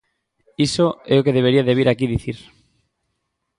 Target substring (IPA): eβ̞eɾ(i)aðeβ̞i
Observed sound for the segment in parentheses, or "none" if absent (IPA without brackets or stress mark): i